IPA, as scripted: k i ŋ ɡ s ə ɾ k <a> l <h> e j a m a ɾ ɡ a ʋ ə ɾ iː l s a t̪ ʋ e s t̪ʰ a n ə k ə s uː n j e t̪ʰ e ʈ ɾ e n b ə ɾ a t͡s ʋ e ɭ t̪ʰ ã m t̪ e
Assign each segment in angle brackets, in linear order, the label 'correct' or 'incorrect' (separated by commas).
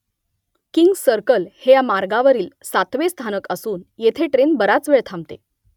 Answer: incorrect, correct